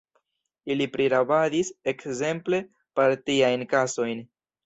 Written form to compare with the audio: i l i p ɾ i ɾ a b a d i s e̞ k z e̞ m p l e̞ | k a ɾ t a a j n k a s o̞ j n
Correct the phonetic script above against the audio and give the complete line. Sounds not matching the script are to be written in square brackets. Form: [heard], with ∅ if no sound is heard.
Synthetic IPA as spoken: i l i p ɾ i ɾ a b a d i s e̞ k z e̞ m p l e̞ | [p] a ɾ t [i] a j n k a s o̞ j n